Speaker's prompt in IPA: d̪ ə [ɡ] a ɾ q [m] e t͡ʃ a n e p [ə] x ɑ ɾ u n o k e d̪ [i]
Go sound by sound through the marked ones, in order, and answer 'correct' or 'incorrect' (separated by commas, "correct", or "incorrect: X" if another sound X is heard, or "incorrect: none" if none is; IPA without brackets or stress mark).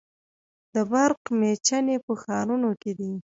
incorrect: b, correct, correct, correct